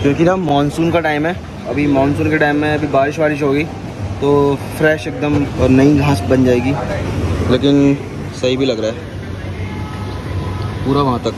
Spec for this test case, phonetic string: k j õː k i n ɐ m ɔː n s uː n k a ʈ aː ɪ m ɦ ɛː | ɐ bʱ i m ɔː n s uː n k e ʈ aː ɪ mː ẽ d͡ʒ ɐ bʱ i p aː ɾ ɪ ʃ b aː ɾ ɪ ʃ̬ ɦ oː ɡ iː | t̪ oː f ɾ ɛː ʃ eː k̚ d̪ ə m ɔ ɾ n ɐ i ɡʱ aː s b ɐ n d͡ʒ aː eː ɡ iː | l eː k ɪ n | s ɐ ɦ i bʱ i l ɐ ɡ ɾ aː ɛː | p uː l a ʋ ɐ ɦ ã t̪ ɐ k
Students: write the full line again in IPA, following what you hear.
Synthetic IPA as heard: k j õː k i n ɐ m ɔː n s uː n k a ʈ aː ɪ m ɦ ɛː | ɐ bʱ i m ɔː n s uː n k e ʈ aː ɪ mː ẽ ɐ bʱ i b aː ɾ ɪ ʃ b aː ɾ ɪ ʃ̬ ɦ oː ɡ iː | t̪ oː f ɾ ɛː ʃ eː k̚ d̪ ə m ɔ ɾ n ɐ i ɡʱ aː s b ɐ n d͡ʒ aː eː ɡ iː | l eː k ɪ n | s ɐ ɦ i bʱ i l ɐ ɡ ɾ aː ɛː | p uː ɾ a ʋ ɐ ɦ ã t̪ ɐ k